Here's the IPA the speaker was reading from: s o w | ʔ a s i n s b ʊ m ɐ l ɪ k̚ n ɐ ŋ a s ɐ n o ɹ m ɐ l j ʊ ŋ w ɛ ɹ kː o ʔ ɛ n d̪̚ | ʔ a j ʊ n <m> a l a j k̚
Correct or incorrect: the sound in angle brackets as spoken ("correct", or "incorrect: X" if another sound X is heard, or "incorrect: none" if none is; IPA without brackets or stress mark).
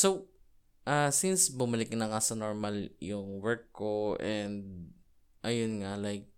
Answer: incorrect: ŋ